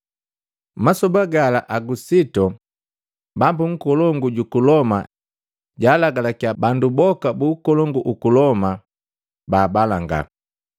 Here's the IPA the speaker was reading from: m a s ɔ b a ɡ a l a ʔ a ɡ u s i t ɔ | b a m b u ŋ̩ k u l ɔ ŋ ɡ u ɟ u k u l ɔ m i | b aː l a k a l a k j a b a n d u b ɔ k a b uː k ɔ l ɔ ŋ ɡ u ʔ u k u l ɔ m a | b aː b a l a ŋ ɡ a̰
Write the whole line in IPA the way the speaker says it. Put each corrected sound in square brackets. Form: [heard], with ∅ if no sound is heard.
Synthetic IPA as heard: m a s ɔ b a ɡ a l a ʔ a ɡ u s i t ɔ | b a m b u ŋ̩ k [ɔ] l ɔ ŋ ɡ u ɟ u k u l ɔ m [a] | [ɟ] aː l a [ɡ] a l a k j a b a n d u b ɔ k a b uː k ɔ l ɔ ŋ ɡ u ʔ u k u l ɔ m a | b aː b a l a ŋ ɡ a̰